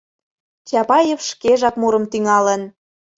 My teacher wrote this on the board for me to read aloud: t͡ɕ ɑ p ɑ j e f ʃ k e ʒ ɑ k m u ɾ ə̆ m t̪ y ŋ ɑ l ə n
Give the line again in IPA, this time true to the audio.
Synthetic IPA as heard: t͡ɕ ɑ p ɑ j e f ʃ k e ʒ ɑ k m u ɾ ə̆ m t̪ y ŋ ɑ l ə n